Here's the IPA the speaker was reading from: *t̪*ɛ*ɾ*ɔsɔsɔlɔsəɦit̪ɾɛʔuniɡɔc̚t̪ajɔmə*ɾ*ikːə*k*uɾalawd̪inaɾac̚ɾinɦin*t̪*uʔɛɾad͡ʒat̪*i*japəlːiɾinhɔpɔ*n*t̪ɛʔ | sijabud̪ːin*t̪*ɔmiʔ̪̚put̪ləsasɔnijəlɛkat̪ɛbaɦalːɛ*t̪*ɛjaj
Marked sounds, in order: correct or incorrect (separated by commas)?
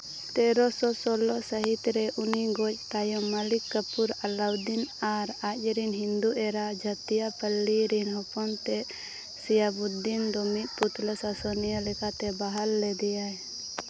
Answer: correct, correct, incorrect, incorrect, incorrect, correct, correct, incorrect, incorrect